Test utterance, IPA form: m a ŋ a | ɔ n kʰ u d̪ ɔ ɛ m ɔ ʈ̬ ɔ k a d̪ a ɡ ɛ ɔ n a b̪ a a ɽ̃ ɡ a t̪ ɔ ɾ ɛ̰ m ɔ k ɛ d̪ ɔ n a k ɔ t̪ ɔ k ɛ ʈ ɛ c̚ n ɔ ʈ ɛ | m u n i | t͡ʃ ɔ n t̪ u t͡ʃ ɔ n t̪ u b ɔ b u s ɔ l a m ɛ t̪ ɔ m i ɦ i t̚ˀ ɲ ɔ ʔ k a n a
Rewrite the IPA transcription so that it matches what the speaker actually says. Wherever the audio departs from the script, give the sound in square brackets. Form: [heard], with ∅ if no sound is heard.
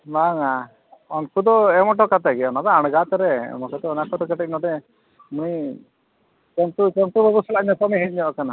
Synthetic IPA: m a ŋ a | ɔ n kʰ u d̪ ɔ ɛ m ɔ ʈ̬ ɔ k a [t̪] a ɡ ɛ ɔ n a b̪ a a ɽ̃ ɡ a t̪ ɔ ɾ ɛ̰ m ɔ k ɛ [t̪] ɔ n a k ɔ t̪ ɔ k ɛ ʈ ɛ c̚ n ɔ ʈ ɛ | m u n i | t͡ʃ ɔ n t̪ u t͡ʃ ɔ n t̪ u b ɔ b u s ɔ l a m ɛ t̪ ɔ m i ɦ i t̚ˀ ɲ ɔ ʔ k a n a